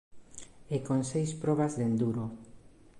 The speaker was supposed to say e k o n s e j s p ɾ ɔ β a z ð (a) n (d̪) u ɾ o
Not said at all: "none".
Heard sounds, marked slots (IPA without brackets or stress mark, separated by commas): e, d̪